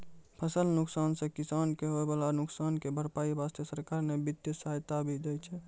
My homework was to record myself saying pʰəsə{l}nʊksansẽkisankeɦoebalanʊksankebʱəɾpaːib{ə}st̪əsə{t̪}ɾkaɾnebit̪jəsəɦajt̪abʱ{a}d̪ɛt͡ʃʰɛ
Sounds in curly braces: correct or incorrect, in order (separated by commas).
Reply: correct, incorrect, incorrect, incorrect